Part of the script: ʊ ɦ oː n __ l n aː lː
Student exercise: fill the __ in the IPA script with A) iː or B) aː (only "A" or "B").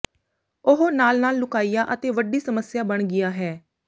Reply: B